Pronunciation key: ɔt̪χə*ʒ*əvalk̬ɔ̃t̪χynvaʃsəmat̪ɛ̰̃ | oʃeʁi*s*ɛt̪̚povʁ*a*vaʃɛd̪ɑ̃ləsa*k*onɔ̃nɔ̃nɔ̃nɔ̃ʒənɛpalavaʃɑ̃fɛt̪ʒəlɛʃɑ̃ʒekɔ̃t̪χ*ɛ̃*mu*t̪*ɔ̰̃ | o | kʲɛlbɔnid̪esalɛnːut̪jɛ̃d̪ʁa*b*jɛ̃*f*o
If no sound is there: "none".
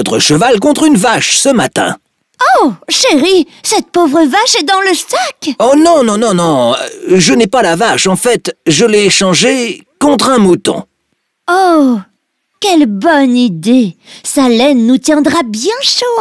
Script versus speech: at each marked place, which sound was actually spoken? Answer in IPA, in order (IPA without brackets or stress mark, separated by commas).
ʃ, s, ə, k, ɛ̃, t̪, b, ʃ